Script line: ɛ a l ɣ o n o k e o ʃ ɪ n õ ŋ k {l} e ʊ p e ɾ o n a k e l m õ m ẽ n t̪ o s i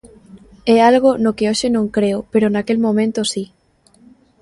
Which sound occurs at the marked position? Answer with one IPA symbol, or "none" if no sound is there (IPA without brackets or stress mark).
ɾ